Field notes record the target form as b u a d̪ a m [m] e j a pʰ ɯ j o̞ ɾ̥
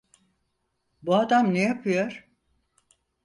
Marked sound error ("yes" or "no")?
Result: yes